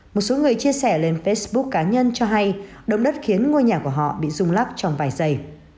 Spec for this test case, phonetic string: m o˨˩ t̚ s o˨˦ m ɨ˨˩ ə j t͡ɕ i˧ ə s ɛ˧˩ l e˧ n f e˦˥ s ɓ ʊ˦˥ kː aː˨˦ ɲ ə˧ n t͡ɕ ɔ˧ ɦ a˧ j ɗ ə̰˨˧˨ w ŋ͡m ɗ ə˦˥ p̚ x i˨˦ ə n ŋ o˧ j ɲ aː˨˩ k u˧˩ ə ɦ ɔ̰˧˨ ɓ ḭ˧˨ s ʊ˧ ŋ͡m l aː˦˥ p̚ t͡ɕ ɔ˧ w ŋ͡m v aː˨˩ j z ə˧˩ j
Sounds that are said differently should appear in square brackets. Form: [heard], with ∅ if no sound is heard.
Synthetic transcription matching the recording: m o˨˩ t̚ s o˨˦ [ŋ] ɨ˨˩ ə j t͡ɕ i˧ ə s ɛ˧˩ l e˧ n f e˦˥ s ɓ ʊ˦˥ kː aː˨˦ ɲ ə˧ n t͡ɕ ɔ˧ ɦ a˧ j ɗ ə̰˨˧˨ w ŋ͡m ɗ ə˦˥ [t̚] x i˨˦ ə n ŋ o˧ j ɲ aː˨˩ k u˧˩ ə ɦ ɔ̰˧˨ ɓ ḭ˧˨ [z] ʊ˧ ŋ͡m l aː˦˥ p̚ t͡ɕ ɔ˧ w ŋ͡m v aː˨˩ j z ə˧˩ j